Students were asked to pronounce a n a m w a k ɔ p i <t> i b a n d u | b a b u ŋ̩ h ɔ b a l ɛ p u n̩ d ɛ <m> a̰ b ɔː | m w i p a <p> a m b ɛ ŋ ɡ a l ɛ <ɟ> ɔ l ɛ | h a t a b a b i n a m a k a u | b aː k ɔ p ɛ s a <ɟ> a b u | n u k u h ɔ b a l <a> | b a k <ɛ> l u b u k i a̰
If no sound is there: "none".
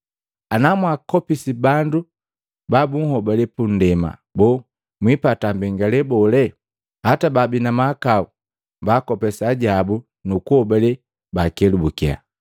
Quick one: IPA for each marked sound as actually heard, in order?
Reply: s, m, t, b, ɟ, ɛ, ɛ

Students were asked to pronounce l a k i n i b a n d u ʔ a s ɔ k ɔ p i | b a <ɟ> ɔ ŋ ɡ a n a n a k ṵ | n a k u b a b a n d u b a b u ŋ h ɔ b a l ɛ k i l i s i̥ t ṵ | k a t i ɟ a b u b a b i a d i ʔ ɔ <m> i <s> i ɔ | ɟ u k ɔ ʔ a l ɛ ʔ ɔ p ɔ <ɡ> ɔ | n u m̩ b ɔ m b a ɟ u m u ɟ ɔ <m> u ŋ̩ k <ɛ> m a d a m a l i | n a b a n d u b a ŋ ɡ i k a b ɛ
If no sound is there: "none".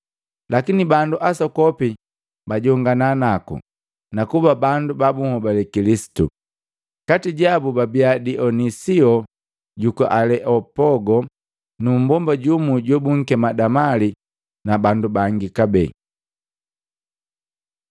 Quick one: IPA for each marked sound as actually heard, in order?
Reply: ɟ, n, s, ɡ, b, ɛ

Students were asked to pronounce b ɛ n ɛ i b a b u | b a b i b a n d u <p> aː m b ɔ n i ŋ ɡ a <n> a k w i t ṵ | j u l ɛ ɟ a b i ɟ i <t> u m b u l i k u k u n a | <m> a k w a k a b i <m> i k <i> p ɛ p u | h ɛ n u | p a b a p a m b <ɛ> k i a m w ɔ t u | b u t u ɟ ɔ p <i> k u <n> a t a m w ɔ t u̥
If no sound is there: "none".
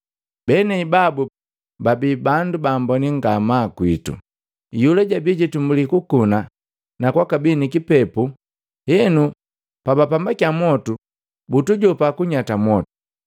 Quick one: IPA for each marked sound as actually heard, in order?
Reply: b, m, t, n, n, i, a, a, ɲ

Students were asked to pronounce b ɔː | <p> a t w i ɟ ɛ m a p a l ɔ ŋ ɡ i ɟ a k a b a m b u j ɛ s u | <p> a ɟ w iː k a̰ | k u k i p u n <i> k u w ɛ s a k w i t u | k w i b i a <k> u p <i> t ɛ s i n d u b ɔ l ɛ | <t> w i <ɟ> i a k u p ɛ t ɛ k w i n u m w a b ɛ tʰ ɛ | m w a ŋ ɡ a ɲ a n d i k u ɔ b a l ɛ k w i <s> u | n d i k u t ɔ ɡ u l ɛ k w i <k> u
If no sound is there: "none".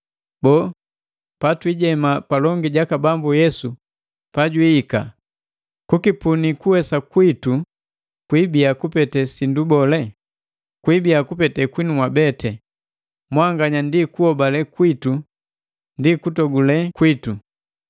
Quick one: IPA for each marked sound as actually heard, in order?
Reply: p, p, i, k, ɛ, k, b, t, t

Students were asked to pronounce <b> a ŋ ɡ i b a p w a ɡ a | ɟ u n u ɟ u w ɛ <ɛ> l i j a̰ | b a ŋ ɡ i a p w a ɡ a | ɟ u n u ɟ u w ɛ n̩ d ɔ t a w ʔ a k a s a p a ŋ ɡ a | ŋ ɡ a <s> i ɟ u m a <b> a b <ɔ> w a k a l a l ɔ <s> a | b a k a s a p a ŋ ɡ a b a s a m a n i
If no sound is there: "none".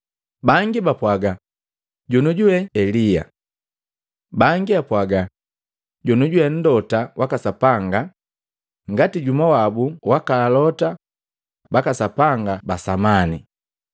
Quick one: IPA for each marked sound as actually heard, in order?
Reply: b, ɛ, t, w, u, t

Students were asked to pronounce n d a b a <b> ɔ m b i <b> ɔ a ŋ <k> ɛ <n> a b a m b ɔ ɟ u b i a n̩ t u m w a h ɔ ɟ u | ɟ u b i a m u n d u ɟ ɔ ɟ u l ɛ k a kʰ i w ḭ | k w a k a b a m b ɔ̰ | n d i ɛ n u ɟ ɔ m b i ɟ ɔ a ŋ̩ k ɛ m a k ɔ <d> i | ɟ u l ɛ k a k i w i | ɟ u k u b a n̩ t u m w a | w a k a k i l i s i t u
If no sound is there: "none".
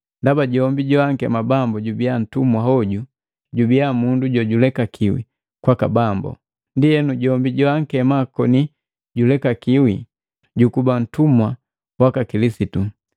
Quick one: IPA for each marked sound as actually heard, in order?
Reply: ɟ, ɟ, k, m, n

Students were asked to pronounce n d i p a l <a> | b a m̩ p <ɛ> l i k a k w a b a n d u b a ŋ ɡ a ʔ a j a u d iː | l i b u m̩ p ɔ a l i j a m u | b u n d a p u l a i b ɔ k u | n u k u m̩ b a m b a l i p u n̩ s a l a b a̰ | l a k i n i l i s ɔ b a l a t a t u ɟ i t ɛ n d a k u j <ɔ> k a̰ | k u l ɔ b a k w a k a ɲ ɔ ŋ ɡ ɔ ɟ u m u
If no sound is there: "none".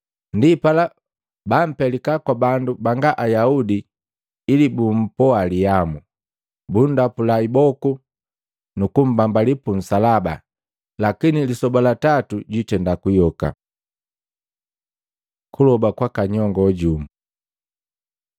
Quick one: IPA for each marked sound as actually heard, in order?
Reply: a, ɛ, ɔ

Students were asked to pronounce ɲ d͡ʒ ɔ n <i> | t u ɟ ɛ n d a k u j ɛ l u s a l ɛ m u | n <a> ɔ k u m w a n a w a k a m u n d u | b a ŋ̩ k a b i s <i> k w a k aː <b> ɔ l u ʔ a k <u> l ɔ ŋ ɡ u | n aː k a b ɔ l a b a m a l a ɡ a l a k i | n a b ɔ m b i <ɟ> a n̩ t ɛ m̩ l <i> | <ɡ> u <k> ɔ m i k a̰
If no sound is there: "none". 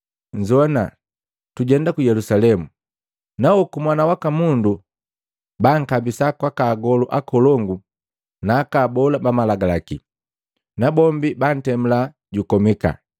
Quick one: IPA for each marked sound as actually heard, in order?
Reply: a, a, a, ɡ, ɔ, b, a, ɟ, k

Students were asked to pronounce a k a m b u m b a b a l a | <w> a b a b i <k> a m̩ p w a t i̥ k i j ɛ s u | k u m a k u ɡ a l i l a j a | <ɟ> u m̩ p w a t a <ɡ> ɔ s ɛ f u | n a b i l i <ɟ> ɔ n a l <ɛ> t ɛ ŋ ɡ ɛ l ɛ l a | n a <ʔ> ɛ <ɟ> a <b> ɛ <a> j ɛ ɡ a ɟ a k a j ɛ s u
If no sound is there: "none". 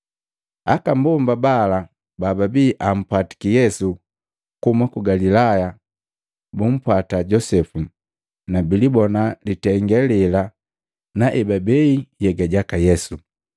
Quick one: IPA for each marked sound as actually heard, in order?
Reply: b, ʔ, b, ɟ, b, i, ʔ, b, b, i

